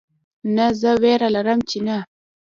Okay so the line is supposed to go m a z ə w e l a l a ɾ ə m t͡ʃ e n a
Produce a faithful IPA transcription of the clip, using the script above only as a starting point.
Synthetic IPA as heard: n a z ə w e ɾ a l a ɾ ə m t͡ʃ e n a